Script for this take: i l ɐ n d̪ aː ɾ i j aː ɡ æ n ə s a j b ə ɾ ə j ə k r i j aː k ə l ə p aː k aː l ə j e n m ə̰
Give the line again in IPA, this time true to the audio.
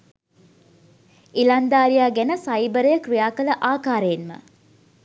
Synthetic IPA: i l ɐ n d̪ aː ɾ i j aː ɡ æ n ə s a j b ə ɾ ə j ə k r i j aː k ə l ə ʔ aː k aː ɾ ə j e n m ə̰